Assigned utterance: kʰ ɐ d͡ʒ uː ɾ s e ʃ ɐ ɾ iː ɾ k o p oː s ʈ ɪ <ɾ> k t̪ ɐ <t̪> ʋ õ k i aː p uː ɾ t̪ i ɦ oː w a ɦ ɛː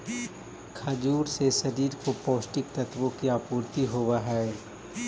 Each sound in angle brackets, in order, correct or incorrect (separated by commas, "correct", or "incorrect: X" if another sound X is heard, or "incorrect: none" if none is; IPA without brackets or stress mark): incorrect: none, correct